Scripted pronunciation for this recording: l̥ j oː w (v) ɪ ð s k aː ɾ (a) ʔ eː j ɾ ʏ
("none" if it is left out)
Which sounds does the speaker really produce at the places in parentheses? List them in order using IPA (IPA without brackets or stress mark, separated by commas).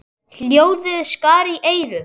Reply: ð, i